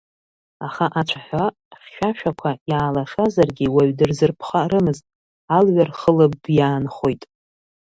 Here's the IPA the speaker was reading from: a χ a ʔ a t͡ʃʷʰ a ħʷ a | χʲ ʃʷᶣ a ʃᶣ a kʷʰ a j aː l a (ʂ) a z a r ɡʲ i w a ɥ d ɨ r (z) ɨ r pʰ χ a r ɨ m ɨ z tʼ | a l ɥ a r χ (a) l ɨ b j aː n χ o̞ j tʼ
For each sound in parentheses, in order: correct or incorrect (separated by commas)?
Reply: correct, correct, incorrect